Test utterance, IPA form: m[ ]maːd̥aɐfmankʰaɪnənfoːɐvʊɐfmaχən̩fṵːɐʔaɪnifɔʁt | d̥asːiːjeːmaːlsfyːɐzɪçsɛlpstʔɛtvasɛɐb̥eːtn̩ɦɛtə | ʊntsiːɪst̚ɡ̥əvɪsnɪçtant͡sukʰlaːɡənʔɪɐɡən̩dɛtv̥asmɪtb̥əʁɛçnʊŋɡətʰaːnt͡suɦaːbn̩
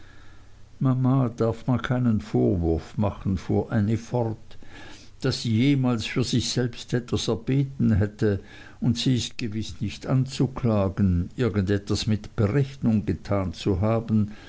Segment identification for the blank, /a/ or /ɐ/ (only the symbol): a